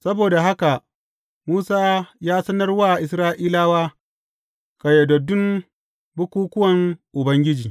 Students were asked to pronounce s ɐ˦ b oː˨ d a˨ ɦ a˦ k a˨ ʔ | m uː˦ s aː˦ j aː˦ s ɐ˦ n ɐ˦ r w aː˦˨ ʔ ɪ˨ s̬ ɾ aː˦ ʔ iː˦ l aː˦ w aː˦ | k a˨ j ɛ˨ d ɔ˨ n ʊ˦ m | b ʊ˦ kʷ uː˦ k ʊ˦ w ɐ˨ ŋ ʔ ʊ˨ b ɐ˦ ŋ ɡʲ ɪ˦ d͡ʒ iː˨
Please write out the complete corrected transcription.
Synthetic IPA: s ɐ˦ b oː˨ d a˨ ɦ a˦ k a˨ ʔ | m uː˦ s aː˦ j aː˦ s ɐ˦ n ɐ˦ r w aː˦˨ ʔ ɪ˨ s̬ ɾ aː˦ ʔ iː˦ l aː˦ w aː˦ | k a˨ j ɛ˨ d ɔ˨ d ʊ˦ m | b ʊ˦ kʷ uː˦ k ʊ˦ w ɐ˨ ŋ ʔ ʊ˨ b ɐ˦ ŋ ɡʲ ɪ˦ d͡ʒ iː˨